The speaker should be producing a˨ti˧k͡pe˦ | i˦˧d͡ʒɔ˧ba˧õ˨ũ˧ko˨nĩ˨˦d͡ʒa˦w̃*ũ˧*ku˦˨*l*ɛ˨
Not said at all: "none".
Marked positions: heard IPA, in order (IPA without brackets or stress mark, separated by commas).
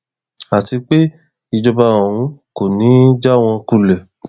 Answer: ɔ̃˧, l